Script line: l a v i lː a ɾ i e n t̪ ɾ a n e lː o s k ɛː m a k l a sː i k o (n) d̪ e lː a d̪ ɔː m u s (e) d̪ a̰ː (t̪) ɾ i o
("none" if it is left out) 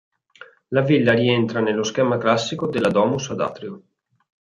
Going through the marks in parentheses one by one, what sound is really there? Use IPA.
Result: none, a, t̪

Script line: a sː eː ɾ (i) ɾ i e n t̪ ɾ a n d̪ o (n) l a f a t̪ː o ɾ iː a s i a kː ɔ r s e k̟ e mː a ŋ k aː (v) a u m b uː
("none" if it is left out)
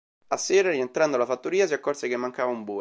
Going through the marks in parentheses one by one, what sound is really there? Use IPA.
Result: a, none, v

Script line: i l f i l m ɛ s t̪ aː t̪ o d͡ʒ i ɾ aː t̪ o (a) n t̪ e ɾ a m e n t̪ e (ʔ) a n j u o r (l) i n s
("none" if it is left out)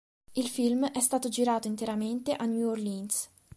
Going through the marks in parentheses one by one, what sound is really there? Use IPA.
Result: i, ʔ, l

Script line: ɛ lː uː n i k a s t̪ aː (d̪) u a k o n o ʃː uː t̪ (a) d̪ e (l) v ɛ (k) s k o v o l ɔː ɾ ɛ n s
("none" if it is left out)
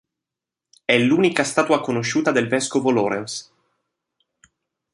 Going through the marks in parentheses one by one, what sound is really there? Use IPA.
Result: t̪, a, l, none

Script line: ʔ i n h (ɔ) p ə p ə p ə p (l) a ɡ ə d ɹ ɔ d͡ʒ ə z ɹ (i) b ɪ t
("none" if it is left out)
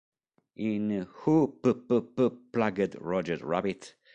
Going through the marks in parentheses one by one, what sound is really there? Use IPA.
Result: u, l, a

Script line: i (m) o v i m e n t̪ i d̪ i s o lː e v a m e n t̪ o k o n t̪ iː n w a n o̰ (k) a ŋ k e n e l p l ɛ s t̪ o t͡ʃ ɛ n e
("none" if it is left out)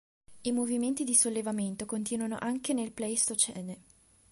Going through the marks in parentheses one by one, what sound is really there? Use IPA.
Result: m, ʔ

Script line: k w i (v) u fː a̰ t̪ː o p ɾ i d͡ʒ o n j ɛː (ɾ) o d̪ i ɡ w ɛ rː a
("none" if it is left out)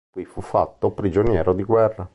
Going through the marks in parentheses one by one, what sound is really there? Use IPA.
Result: f, ɾ

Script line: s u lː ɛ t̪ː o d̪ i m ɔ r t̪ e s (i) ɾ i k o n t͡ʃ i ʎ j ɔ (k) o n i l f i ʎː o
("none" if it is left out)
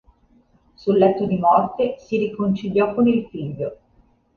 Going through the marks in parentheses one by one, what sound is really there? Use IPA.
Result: i, k

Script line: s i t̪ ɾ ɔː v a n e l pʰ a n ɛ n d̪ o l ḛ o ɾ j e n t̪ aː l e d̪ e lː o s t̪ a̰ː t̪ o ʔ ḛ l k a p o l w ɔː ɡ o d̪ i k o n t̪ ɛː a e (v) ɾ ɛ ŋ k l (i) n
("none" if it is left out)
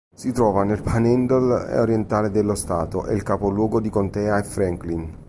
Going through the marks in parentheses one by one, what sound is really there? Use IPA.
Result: f, i

